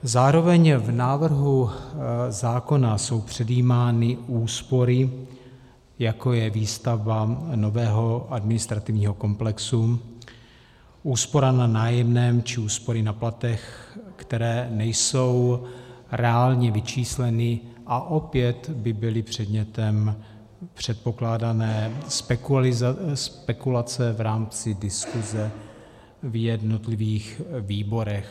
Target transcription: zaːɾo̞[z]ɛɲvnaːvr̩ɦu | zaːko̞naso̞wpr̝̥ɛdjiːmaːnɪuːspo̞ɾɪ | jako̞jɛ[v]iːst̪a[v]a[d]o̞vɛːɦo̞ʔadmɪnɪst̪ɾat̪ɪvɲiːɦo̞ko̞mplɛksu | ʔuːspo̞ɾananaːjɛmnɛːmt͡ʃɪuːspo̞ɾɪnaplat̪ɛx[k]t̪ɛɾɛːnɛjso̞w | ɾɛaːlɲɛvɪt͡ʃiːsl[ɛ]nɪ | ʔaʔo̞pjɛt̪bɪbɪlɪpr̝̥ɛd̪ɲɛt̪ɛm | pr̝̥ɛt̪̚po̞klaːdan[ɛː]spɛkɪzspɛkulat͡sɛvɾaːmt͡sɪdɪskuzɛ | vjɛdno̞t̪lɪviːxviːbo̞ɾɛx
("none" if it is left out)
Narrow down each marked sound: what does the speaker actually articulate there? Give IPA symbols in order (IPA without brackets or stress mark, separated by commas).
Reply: v, v, v, n, k, ɛ, ɛː